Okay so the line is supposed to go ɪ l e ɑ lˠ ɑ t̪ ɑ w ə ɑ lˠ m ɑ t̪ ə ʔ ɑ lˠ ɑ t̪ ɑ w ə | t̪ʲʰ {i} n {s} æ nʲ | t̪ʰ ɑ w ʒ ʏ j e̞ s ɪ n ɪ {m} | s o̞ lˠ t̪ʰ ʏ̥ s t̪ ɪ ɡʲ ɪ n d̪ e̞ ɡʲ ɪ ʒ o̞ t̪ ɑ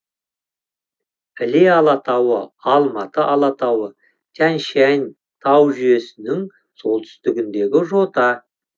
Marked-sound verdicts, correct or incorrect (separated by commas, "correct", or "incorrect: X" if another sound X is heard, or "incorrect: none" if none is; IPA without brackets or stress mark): incorrect: æ, incorrect: ʃ, incorrect: ŋ